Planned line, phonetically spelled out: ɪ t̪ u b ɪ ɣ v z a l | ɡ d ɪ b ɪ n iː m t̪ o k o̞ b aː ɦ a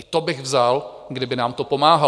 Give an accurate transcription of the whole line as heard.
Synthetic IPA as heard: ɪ t̪ o b ɪ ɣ v z a l | ɡ d ɪ b ɪ n aː m t̪ o p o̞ m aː ɦ a